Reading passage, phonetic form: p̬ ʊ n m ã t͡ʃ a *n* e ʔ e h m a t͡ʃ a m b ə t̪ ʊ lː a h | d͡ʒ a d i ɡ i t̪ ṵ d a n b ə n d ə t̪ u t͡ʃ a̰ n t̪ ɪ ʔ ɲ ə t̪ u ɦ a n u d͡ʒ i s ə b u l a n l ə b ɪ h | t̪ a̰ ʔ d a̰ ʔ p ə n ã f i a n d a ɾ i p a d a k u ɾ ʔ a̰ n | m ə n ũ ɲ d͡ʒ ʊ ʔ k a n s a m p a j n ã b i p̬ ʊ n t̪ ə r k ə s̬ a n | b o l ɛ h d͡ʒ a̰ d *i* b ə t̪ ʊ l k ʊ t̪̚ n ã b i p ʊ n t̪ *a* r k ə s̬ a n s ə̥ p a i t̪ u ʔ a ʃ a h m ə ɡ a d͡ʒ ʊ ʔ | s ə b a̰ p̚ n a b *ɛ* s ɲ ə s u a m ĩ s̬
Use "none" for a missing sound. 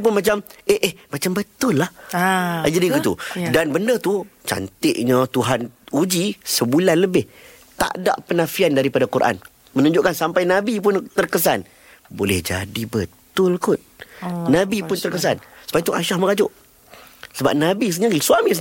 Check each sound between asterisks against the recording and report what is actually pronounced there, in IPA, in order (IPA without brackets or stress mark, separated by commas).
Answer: m, i, ə, i